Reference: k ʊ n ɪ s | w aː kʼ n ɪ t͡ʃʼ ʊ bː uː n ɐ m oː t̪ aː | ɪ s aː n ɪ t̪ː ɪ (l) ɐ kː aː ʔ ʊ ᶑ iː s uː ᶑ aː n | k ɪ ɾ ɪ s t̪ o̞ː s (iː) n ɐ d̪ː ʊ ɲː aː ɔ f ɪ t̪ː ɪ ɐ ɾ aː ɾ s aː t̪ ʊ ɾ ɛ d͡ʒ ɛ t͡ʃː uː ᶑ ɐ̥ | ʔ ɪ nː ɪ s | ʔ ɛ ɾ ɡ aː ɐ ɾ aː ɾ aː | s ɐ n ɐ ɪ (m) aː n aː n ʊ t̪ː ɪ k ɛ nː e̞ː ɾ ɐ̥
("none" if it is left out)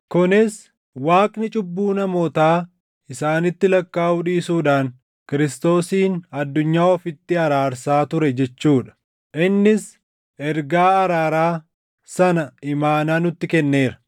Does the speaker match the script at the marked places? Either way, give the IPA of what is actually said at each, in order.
l, iː, m

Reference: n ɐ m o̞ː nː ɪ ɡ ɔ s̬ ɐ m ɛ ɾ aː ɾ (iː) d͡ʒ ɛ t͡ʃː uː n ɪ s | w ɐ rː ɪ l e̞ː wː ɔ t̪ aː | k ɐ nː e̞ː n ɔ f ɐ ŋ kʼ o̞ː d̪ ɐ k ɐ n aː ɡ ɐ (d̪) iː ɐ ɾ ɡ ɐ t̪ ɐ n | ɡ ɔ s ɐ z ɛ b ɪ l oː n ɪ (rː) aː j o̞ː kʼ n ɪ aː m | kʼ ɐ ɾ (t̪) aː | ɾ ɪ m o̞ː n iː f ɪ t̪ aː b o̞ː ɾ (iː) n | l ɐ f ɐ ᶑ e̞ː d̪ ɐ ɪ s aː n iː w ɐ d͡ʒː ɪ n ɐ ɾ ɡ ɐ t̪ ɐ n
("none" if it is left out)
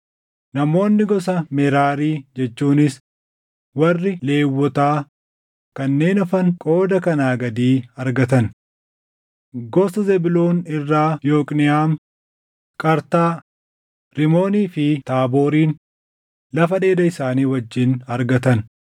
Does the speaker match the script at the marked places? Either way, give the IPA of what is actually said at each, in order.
iː, d̪, rː, t̪, iː

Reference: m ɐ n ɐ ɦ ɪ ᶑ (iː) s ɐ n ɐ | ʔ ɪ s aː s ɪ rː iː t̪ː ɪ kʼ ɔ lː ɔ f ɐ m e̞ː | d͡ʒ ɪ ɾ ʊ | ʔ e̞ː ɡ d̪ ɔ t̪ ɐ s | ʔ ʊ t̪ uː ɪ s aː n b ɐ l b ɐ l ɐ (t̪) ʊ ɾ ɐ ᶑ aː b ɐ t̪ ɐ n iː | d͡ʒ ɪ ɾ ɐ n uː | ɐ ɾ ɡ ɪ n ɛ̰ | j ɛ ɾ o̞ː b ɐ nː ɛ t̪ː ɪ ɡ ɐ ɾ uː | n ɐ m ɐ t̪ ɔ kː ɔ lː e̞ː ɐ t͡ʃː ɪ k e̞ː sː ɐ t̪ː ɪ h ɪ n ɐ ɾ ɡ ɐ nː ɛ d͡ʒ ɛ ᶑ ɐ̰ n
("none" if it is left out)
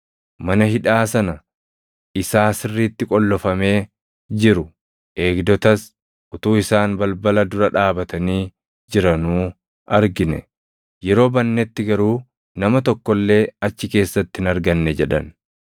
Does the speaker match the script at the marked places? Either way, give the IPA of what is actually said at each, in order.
aː, d̪

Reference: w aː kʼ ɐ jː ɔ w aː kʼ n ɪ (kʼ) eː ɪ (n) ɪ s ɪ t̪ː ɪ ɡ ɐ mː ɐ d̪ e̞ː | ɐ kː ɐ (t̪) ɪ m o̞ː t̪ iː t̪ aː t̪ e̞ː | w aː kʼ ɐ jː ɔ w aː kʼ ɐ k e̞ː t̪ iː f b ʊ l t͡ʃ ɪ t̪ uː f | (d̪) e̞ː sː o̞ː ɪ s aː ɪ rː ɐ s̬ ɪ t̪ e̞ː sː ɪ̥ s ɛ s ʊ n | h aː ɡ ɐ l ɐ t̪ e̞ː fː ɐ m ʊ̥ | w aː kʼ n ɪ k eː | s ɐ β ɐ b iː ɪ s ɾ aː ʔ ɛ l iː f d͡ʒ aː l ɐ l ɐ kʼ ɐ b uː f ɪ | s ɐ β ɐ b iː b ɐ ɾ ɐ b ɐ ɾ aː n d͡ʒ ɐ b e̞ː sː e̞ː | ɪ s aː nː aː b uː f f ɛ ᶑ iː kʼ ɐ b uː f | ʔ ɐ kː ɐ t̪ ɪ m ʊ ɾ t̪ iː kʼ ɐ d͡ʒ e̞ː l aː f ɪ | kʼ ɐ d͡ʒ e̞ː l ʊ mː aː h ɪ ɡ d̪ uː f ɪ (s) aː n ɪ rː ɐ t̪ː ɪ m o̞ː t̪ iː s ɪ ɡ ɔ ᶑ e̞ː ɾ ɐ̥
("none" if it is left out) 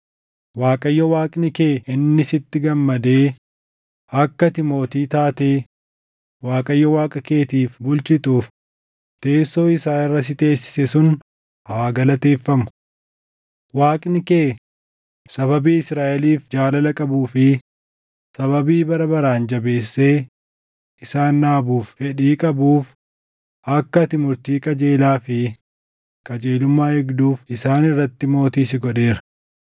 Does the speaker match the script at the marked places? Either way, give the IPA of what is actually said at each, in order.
k, nː, t̪, t̪, s

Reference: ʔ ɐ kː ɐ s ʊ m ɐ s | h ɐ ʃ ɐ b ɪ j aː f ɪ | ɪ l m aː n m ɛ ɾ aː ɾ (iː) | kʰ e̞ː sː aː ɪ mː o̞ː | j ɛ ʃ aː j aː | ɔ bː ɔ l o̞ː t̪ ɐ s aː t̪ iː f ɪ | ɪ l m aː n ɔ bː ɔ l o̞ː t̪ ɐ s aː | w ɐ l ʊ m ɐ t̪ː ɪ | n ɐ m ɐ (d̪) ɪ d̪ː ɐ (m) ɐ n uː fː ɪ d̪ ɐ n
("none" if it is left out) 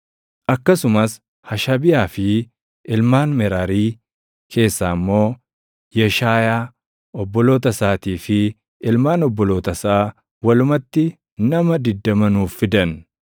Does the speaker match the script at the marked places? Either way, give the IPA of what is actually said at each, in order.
iː, d̪, m

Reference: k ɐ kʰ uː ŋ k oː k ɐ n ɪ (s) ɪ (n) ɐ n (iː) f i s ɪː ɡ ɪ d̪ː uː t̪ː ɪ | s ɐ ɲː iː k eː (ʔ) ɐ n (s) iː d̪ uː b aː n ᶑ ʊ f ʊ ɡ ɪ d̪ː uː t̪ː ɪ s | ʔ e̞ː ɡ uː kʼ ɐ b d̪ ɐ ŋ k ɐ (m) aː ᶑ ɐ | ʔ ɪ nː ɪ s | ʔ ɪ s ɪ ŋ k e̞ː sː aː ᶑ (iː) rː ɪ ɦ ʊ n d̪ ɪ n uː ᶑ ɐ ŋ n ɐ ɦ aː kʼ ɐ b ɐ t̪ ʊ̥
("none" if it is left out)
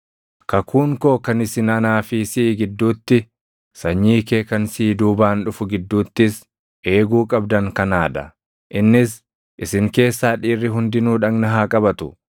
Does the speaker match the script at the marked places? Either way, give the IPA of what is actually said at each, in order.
s, n, aː, k, s, n, iː

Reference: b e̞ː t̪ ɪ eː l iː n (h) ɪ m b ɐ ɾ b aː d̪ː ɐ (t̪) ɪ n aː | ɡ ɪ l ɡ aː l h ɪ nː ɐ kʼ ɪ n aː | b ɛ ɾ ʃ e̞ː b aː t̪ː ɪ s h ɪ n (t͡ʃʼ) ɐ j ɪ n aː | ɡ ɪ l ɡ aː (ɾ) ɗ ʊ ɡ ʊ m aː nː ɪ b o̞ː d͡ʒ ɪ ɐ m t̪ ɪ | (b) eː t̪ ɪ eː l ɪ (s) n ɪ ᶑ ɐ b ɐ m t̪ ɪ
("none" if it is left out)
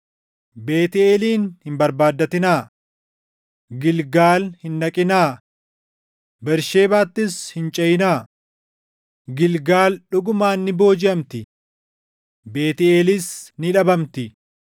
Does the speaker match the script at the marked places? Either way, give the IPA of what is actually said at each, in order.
h, t̪, t͡ʃʼ, l, b, s

